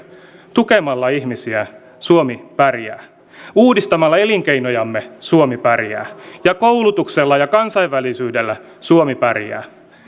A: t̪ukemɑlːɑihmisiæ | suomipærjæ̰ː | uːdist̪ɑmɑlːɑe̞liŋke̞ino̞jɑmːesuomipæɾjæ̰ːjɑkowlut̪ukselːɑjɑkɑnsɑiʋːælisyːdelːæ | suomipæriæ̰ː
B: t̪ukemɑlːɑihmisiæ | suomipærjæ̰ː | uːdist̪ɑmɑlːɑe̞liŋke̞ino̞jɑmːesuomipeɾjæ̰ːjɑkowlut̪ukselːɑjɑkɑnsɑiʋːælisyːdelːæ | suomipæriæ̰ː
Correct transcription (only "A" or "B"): A